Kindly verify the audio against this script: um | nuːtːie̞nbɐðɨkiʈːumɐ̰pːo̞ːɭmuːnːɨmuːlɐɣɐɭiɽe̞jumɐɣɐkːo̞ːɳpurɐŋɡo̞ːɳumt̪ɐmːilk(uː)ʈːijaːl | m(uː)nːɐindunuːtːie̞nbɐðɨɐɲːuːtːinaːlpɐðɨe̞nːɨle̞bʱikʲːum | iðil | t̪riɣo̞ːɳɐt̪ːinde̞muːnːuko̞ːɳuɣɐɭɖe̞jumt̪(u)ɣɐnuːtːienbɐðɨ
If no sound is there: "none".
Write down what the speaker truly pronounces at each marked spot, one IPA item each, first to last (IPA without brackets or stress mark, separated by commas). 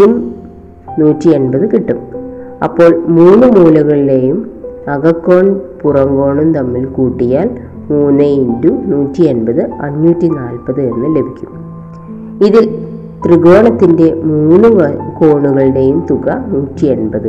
uː, uː, u